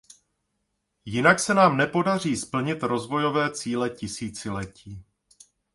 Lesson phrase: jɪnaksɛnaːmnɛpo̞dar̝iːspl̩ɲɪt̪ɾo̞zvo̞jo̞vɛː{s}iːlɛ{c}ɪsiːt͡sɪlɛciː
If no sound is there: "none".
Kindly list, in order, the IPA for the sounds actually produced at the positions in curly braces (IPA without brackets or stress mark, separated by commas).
t͡s, c